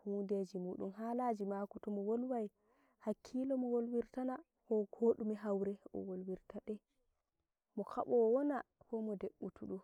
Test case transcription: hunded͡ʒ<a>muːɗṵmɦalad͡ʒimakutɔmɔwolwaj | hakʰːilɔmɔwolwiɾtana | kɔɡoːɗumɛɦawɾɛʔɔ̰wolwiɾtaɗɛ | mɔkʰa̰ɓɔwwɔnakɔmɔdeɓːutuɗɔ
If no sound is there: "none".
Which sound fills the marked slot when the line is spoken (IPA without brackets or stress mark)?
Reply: i